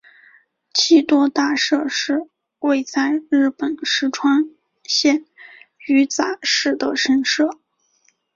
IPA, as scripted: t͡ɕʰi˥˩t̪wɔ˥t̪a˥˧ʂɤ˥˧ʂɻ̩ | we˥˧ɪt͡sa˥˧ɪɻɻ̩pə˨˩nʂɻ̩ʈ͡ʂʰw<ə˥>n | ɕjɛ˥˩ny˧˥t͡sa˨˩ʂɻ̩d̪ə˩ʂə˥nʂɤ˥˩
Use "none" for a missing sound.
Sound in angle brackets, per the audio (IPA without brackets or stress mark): a˥